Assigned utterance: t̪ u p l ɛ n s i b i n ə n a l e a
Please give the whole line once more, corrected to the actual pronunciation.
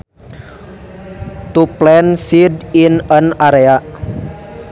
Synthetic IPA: t̪ u p l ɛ n s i d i n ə n a ɾ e a